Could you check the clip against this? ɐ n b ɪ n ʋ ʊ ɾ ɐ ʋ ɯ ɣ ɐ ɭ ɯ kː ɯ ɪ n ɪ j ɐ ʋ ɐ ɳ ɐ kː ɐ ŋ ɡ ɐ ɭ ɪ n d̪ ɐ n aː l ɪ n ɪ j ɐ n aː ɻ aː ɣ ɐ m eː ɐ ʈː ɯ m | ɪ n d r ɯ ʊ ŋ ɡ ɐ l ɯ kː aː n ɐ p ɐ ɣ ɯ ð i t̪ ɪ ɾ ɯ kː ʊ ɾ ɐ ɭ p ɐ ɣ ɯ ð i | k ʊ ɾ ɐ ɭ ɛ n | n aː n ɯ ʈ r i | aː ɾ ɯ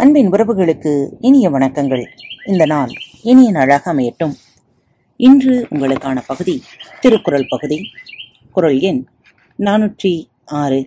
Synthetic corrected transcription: ɐ n b ɪ n ʋ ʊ ɾ ɐ ʋ ɯ ɣ ɐ ɭ ɯ kː ɯ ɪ n ɪ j ɐ ʋ ɐ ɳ ɐ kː ɐ ŋ ɡ ɐ ɭ ɪ n d̪ ɐ n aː l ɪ n ɪ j ɐ n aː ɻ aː ɣ ɐ m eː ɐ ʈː ɯ m | ɪ n d r ɯ ʊ ŋ ɡ ɐ ɭ ɯ kː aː n ɐ p ɐ ɣ ɯ ð i t̪ ɪ ɾ ɯ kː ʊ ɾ ɐ ɭ p ɐ ɣ ɯ ð i | k ʊ ɾ ɐ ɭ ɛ n | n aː n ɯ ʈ r i | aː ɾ ɯ